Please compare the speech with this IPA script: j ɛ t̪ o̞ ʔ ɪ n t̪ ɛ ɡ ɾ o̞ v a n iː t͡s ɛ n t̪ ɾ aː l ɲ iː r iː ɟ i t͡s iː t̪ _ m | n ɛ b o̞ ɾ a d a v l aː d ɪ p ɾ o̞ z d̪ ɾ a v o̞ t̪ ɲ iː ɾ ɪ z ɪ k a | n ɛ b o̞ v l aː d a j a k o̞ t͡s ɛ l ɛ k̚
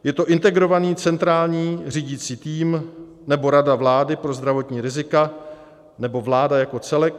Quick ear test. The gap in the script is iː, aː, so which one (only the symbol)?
iː